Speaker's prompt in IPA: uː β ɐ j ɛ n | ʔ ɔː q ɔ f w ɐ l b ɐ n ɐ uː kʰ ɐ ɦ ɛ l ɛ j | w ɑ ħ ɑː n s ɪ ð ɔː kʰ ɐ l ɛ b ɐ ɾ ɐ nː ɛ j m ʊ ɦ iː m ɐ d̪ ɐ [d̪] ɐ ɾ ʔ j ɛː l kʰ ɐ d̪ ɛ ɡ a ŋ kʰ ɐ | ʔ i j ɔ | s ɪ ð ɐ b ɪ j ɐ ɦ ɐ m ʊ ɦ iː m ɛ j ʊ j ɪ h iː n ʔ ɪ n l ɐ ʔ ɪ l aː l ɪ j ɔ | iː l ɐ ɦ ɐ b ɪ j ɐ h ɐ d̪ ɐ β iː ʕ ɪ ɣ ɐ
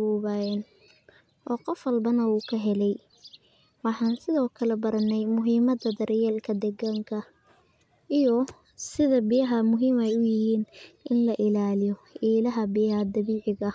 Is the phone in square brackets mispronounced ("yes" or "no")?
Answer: no